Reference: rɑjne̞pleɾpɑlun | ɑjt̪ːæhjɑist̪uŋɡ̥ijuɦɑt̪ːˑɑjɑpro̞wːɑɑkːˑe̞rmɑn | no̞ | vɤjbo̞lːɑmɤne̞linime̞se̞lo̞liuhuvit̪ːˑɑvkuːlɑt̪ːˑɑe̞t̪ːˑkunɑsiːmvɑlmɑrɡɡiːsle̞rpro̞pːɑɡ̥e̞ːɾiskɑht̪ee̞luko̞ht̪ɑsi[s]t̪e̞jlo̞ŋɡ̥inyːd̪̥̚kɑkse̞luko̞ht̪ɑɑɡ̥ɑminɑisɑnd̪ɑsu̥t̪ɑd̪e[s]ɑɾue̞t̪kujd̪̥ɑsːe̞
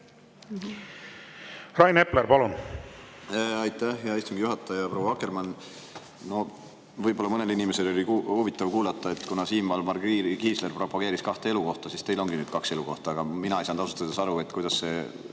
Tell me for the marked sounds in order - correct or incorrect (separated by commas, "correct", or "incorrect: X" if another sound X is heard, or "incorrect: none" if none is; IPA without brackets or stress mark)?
correct, correct